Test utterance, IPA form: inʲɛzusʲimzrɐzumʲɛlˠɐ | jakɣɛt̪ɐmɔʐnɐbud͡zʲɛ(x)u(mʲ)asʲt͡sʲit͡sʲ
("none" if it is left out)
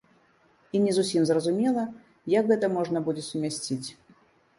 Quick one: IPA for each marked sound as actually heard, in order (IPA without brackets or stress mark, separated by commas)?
s, mʲ